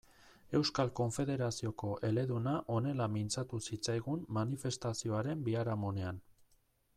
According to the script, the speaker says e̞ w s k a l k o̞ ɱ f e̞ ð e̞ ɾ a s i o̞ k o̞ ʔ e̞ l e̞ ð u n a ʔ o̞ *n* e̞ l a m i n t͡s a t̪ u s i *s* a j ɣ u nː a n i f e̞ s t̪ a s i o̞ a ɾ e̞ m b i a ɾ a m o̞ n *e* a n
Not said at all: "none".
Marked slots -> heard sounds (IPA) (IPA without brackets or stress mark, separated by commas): n, t͡s, e